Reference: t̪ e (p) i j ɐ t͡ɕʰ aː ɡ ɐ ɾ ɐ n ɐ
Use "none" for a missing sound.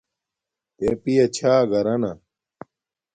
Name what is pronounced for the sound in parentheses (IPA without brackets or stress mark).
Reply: p